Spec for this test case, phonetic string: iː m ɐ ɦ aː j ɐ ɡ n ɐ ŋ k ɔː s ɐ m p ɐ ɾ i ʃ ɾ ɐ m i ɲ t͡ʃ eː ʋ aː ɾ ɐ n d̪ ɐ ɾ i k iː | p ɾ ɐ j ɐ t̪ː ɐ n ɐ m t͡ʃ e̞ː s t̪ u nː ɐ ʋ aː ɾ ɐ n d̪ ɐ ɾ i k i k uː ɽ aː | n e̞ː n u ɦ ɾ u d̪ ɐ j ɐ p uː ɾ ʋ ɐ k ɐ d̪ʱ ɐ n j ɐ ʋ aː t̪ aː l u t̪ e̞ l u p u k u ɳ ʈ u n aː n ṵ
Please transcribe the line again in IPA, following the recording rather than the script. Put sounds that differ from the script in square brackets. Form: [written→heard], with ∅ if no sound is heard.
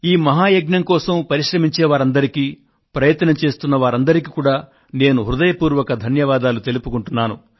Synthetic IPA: iː m ɐ ɦ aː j ɐ ɡ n ɐ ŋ k ɔː s ɐ m p ɐ ɾ i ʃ ɾ ɐ m i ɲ t͡ʃ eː ʋ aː ɾ ɐ n d̪ ɐ ɾ i k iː | p ɾ ɐ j ɐ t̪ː ɐ n ɐ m t͡ʃ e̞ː s t̪ u nː ɐ ʋ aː ɾ ɐ n d̪ ɐ ɾ i k i k uː ɽ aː | n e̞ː n u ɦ ɾ u d̪ ɐ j ɐ p uː ɾ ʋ ɐ k ɐ d̪ʱ ɐ n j ɐ ʋ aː [t̪→d̪] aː l u t̪ e̞ l u p u k u ɳ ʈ u [n→nː] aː n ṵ